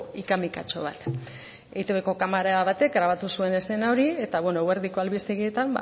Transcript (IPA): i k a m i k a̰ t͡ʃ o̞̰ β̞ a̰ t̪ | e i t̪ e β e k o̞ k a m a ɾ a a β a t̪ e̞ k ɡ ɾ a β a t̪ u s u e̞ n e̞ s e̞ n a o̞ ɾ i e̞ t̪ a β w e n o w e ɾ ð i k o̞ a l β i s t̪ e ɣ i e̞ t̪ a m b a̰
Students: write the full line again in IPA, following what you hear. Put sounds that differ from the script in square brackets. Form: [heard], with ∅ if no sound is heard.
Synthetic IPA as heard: i k a m i k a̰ t͡ʃ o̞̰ β̞ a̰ t̪ | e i t̪ e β e k o̞ k a m a ɾ a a β a t̪ e̞ k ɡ ɾ a β a t̪ u s u e̞ n e̞ s e̞ n a o̞ ɾ i e̞ t̪ a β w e n o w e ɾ ð i k o̞ a l β i s t̪ e ɣ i e̞ t̪ a m b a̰